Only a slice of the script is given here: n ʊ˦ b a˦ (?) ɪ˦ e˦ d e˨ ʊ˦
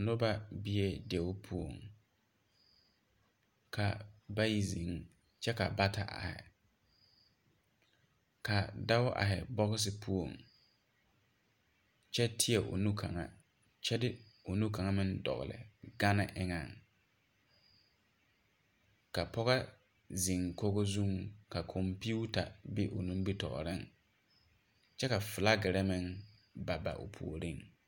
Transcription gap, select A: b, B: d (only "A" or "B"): A